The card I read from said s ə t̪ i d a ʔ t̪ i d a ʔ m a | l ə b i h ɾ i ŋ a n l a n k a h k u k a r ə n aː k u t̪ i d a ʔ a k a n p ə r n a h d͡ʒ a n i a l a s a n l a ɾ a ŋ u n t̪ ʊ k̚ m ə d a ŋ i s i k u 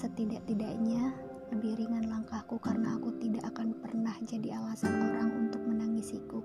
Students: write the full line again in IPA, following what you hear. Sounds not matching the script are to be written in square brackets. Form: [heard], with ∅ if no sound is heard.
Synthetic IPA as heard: s ə t̪ i d a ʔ t̪ i d a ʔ [ɲ] a | l ə b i h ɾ i ŋ a n l a [ŋ] k a h k u k a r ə n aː k u t̪ i d a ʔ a k a n p ə r n a h d͡ʒ a [d] i a l a s a n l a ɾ a ŋ u n t̪ ʊ k̚ m ə [n] a ŋ i s i k u